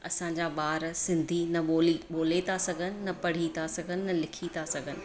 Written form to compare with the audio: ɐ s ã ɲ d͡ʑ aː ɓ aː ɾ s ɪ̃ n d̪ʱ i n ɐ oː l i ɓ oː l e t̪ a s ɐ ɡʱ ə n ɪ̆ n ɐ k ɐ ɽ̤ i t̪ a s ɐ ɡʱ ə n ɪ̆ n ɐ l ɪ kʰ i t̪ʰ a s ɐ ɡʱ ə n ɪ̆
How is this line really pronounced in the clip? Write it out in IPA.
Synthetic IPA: ɐ s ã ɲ d͡ʑ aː ɓ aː ɾ s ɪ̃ n d̪ʱ i n ɐ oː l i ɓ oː l e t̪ a s ɐ ɡʱ ə n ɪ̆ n ɐ p ɐ ɽ̤ i t̪ a s ɐ ɡʱ ə n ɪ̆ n ɐ l ɪ kʰ i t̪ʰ a s ɐ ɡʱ ə n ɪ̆